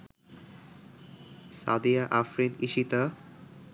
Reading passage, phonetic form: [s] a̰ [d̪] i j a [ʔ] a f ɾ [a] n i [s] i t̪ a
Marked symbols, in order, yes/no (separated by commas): yes, yes, yes, no, no